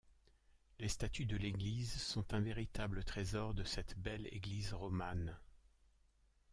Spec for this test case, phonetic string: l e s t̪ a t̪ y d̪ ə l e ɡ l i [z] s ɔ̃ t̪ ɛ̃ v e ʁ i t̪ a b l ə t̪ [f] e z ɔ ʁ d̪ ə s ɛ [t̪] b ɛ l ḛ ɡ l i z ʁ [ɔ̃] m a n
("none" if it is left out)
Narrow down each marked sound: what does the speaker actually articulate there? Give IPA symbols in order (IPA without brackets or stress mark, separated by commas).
z, χ, t̪, ɔ